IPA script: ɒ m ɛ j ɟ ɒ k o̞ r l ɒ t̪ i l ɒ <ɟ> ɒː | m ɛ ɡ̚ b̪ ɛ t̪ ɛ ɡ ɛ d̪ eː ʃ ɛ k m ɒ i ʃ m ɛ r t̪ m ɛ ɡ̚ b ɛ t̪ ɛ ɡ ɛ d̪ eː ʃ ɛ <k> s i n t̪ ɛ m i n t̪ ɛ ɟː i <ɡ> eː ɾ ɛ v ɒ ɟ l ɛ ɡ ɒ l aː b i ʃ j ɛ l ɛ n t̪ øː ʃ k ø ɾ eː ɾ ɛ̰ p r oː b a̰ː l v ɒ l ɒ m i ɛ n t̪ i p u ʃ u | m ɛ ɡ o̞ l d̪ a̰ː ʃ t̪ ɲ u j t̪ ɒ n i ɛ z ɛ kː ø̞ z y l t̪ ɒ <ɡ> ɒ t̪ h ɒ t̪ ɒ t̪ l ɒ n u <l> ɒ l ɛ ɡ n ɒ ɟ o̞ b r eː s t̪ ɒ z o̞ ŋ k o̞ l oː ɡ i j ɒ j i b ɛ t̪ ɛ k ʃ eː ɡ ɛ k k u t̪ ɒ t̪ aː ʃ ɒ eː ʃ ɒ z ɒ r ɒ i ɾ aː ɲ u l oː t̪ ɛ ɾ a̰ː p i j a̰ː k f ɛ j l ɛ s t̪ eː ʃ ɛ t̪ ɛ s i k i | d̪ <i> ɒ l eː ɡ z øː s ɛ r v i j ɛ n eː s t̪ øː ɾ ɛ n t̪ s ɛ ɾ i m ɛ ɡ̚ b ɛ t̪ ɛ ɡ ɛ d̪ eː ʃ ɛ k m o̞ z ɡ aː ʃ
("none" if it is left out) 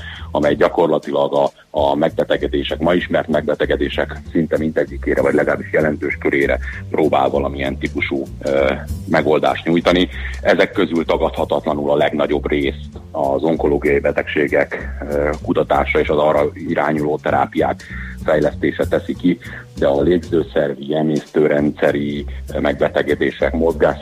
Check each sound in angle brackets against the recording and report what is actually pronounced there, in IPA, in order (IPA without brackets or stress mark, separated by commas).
ɡ, k, k, ɡ, l, ɛ